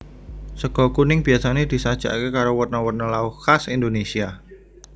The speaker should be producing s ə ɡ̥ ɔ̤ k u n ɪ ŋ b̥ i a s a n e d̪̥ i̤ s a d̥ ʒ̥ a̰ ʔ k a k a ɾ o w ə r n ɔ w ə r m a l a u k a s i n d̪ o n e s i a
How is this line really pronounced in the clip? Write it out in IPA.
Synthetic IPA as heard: s ə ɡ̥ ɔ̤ k u n ɪ ŋ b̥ i a s a n e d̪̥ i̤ s a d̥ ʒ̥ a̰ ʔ k e k a ɾ o w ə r n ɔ w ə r n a l a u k a s i n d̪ o n e s i a